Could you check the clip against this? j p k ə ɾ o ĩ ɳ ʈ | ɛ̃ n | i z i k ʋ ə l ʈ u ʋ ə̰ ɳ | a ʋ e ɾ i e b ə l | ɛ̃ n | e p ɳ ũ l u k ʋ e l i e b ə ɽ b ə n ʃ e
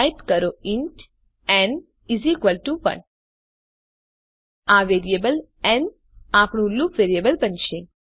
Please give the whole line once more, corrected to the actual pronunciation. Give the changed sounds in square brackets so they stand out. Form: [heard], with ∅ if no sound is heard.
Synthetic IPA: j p k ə ɾ o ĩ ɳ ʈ | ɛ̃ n | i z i k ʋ ə l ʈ u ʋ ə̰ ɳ | a ʋ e ɾ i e b ə l | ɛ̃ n | [a] p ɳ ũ l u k ʋ e [ɾ] i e b ə [l] b ə n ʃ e